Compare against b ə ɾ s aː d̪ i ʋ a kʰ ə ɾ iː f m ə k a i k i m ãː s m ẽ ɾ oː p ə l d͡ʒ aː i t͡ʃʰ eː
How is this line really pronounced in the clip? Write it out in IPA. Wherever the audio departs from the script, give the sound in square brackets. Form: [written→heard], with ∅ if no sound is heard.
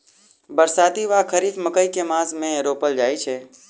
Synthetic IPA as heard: b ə ɾ s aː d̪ i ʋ a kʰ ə ɾ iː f m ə k [a→ə] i k [i→e] m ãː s m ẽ ɾ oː p ə l d͡ʒ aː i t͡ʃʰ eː